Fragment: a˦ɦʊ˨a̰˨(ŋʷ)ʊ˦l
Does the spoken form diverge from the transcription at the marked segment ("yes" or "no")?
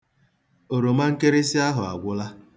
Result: yes